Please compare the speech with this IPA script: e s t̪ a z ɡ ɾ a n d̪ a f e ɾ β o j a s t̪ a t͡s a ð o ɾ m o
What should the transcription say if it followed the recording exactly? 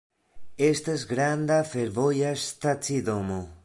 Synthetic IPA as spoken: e s t̪ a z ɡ ɾ a n d̪ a f e ɾ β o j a s t̪ a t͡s i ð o m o